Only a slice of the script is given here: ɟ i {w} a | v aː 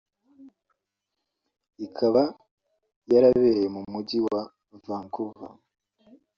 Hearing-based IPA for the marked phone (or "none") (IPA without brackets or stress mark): w